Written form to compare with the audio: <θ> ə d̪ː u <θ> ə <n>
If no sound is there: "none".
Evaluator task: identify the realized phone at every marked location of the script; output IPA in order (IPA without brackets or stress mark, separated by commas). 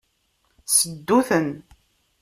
s, θ, n